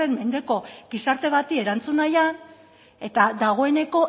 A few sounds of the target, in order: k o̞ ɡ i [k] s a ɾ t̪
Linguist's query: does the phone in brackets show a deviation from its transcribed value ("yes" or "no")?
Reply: yes